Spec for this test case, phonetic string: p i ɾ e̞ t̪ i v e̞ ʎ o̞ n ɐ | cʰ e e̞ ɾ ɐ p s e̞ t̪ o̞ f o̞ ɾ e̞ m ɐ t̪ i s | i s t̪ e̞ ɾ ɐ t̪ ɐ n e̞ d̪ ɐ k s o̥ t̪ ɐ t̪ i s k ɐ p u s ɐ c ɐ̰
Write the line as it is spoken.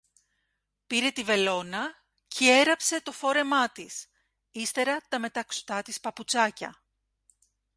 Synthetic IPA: p i ɾ e̞ t̪ i v e̞ l o̞ n ɐ | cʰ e e̞ ɾ ɐ p s e̞ t̪ o̞ f o̞ ɾ e̞ m ɐ t̪ i s | i s t̪ e̞ ɾ ɐ t̪ ɐ m e̞ t̪ ɐ k s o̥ t̪ ɐ t̪ i s p ɐ p u t͡s ɐ c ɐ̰